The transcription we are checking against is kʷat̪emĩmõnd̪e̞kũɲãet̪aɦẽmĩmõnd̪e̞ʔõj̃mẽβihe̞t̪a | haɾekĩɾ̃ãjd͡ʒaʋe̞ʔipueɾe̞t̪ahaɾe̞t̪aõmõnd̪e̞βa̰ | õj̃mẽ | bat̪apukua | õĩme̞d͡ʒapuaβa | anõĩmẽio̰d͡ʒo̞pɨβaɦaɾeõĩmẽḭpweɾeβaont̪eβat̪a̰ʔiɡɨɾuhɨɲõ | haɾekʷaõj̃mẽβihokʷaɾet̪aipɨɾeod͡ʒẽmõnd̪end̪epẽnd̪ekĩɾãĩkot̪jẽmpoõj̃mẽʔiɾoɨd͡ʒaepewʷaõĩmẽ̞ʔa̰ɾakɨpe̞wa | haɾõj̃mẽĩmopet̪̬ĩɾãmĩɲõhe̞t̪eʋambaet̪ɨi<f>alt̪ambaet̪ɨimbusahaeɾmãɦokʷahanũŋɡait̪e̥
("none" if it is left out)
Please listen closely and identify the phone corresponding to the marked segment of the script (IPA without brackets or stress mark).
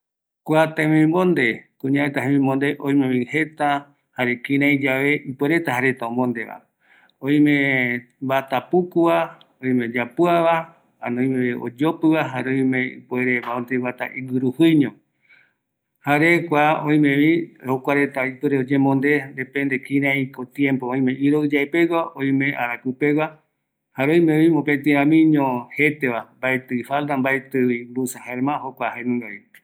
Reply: f